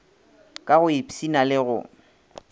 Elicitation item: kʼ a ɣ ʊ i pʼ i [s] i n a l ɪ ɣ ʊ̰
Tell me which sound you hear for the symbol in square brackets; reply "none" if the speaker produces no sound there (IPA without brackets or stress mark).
s